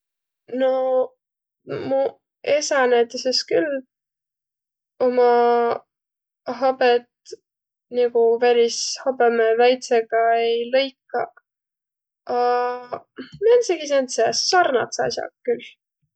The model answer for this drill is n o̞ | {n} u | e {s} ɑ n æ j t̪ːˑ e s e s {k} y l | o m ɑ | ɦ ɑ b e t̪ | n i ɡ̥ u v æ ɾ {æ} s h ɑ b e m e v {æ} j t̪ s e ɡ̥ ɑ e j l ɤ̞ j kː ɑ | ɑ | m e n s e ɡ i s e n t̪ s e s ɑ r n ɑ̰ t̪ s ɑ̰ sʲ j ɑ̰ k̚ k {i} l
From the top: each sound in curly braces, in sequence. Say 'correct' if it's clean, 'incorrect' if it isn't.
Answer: incorrect: m, correct, correct, incorrect: i, correct, incorrect: y

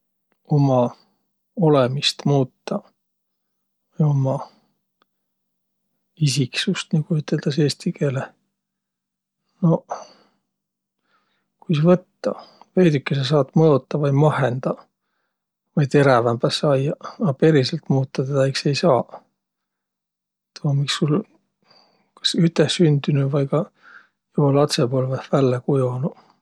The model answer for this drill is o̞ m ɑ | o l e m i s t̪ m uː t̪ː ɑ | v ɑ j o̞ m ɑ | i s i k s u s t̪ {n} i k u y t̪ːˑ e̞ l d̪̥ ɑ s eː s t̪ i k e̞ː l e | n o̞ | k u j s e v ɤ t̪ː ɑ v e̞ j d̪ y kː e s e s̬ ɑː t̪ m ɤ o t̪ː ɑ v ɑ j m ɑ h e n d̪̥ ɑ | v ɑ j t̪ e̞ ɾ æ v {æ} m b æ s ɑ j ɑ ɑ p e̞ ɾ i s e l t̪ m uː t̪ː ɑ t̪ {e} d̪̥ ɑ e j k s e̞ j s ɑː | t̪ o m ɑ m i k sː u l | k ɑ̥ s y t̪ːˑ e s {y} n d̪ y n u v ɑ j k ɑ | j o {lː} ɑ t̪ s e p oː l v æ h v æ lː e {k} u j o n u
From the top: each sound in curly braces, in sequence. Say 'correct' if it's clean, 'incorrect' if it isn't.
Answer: correct, correct, correct, correct, incorrect: l, correct

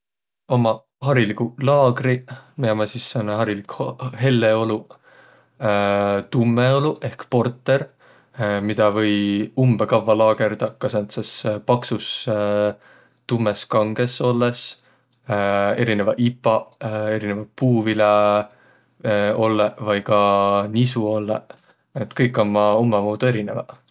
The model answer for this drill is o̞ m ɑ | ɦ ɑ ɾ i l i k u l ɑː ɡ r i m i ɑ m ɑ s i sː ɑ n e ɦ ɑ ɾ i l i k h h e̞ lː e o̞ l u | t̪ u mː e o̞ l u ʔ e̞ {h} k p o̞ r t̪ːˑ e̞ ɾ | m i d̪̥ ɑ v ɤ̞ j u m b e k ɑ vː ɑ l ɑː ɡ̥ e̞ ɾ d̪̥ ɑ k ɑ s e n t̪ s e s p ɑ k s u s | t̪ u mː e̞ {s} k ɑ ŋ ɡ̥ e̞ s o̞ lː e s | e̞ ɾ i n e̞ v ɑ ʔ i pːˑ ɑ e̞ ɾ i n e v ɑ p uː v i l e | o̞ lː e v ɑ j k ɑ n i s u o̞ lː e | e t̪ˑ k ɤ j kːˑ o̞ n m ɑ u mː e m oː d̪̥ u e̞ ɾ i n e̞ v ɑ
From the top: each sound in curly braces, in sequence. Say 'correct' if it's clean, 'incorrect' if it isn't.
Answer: correct, correct

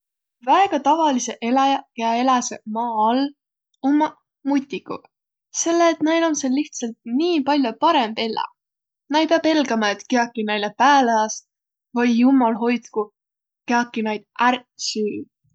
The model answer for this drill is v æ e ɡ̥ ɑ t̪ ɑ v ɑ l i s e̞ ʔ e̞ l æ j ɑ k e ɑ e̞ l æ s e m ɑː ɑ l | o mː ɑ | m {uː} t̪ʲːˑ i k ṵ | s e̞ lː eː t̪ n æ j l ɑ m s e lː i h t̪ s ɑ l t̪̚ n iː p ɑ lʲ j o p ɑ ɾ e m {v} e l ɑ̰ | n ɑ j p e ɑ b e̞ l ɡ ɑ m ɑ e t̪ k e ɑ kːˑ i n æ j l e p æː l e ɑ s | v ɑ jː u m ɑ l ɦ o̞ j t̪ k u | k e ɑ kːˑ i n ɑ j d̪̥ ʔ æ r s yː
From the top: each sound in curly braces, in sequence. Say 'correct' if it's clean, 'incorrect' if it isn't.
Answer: incorrect: u, incorrect: b

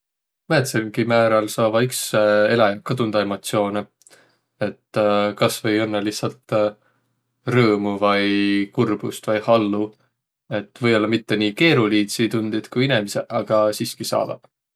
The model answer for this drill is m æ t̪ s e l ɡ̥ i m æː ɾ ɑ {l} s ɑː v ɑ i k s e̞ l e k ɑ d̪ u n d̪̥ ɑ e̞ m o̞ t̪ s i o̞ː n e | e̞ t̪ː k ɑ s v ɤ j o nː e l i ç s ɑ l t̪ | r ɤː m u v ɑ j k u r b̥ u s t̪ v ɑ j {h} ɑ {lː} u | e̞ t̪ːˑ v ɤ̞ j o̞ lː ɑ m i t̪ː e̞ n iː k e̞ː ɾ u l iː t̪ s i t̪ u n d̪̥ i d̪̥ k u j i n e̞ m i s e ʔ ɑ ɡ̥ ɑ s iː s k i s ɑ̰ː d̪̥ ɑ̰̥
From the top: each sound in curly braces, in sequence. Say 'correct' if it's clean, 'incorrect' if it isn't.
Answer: correct, correct, correct

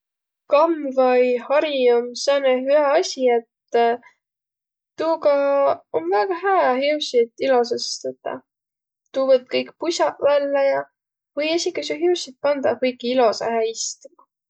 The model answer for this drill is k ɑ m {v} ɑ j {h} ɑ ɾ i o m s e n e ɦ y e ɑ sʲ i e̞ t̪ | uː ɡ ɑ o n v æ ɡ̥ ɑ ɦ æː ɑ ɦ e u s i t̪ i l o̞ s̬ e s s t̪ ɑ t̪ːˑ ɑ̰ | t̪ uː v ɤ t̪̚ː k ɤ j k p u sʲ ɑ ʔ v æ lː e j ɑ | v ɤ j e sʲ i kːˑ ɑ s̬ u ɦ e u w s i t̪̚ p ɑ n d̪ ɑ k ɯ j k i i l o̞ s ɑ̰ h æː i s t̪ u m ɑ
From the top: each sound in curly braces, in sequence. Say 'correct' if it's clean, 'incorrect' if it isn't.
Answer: correct, correct

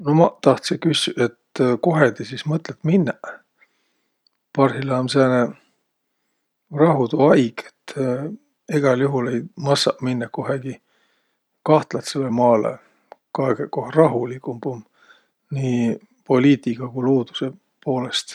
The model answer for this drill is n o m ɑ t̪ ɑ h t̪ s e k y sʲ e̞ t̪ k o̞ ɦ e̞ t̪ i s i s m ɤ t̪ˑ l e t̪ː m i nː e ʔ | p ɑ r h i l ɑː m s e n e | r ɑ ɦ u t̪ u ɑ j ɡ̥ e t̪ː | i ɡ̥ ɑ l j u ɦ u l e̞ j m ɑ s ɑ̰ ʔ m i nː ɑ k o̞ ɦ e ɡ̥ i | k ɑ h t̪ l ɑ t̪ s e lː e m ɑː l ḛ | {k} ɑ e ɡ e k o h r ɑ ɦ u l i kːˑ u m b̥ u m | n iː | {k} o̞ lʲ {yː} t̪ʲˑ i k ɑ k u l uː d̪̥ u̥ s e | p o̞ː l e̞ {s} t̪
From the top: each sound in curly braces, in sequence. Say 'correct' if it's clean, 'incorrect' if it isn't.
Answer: correct, incorrect: p, incorrect: iː, correct

